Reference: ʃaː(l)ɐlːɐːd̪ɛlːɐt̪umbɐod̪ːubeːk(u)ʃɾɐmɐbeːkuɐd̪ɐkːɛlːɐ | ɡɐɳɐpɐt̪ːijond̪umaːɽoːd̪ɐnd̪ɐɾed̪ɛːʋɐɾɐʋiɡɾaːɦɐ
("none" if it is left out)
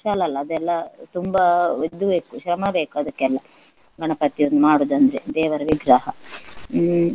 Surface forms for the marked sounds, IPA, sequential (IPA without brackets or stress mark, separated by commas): l, u